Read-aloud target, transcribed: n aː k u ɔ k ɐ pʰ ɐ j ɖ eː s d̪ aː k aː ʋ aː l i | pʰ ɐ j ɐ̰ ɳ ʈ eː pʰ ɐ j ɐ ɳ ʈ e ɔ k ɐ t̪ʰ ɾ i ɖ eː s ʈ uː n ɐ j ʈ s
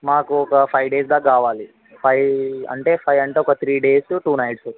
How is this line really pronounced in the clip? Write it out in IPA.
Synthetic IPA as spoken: m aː k u ɔ k ɐ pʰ ɐ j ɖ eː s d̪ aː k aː ʋ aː l i | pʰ ɐ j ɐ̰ ɳ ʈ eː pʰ ɐ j ɐ ɳ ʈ e ɔ k ɐ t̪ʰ ɾ iː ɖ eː s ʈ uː n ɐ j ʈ s